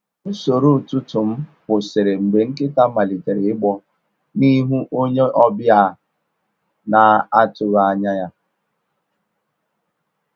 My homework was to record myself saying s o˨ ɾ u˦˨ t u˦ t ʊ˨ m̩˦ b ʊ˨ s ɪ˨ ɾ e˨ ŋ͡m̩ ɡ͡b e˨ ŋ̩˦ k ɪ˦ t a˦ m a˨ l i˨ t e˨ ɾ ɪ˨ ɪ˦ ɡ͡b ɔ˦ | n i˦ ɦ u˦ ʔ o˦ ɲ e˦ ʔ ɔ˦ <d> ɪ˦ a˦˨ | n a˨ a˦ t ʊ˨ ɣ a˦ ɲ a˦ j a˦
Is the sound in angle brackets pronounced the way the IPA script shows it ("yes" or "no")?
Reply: no